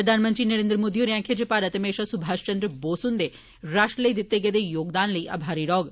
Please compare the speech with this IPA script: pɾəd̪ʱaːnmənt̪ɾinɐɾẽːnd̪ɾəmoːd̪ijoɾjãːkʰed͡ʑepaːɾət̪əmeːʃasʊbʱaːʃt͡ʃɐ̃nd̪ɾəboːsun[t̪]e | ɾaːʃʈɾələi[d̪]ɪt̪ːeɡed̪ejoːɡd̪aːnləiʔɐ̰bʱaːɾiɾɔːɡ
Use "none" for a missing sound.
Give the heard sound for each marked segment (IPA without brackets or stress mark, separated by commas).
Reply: d̪, d̪